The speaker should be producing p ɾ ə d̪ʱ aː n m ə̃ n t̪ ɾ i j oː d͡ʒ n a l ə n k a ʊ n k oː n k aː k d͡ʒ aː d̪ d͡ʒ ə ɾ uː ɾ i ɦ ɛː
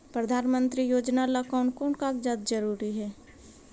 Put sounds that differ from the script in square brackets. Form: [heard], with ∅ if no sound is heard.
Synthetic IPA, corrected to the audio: p ɾ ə d̪ʱ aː n m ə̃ n t̪ ɾ i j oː d͡ʒ n a l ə [∅] k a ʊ n k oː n k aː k d͡ʒ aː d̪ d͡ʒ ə ɾ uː ɾ i ɦ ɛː